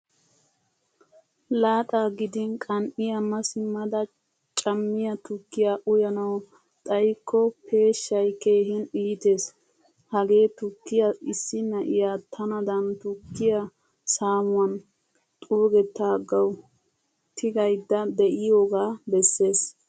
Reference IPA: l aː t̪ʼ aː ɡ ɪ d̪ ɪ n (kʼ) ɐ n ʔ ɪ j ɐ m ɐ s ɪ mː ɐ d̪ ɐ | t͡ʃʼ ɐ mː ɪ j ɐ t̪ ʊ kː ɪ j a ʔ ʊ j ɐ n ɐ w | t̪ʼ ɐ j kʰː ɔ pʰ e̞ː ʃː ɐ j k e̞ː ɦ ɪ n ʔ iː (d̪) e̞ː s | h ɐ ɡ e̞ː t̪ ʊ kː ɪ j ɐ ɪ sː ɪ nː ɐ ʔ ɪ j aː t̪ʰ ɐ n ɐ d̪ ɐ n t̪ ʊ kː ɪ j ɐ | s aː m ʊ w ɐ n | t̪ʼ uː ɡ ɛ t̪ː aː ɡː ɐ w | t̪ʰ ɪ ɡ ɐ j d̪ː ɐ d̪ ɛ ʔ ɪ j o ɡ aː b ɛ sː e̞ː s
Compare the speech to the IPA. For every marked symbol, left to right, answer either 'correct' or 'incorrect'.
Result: correct, incorrect

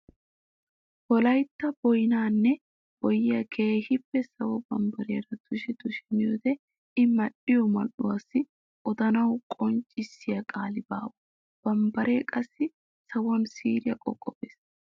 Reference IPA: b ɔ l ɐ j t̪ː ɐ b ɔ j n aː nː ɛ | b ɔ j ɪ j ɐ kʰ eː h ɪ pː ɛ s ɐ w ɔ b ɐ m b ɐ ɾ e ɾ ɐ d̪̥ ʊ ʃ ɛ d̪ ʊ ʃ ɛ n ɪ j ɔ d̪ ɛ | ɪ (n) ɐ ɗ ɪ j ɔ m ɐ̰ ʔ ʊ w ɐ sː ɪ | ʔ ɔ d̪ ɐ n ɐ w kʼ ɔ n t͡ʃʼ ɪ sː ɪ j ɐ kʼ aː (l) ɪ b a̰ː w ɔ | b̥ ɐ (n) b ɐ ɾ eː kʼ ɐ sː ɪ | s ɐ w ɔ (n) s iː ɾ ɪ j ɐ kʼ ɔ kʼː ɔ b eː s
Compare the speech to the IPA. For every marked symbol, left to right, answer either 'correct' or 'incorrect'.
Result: incorrect, correct, incorrect, correct

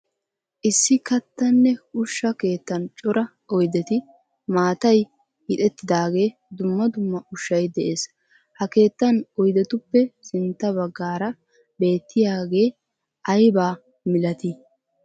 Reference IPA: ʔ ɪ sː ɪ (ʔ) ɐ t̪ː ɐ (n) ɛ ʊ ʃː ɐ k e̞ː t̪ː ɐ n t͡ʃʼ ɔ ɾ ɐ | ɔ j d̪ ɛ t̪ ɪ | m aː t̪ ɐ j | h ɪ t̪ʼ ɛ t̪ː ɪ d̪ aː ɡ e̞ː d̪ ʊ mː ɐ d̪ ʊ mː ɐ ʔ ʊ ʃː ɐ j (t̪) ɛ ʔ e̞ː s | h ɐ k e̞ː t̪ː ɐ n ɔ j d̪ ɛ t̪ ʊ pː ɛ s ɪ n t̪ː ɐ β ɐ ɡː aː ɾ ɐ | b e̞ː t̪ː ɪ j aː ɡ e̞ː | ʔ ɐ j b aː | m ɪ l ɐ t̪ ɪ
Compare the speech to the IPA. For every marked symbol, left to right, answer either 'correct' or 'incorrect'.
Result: incorrect, incorrect, incorrect

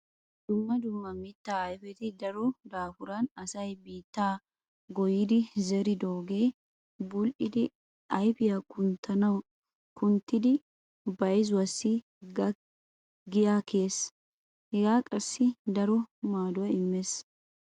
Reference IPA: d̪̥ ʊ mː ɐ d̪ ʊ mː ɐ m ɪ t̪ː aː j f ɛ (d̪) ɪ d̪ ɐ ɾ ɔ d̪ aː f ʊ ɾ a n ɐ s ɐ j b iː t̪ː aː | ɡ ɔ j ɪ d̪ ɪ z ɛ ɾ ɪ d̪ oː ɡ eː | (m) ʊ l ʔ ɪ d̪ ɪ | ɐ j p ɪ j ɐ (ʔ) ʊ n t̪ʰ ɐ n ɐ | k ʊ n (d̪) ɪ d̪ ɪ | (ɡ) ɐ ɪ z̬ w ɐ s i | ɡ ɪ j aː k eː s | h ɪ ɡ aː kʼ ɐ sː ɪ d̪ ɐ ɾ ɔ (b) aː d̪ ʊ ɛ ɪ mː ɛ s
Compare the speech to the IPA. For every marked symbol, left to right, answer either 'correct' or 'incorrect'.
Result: incorrect, incorrect, incorrect, incorrect, incorrect, incorrect

